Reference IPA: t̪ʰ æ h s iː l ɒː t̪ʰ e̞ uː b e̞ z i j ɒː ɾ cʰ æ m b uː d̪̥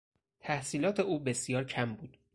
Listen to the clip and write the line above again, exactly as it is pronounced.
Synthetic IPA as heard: t̪ʰ æ h s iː l ɒː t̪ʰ e̞ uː b e̞ s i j ɒː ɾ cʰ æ m b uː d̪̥